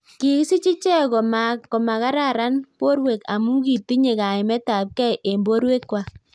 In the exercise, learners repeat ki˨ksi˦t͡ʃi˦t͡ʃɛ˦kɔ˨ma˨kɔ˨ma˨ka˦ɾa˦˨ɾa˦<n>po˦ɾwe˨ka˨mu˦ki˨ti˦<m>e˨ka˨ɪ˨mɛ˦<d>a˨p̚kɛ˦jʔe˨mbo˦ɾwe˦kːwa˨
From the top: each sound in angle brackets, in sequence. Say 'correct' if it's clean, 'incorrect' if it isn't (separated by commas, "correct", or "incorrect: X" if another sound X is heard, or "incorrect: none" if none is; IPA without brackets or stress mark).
correct, incorrect: ɲ, incorrect: t